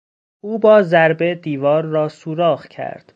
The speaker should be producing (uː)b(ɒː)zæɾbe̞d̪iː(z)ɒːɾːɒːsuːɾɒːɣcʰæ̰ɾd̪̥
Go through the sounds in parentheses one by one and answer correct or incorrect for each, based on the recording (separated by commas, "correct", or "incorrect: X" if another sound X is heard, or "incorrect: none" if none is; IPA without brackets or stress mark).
correct, correct, incorrect: v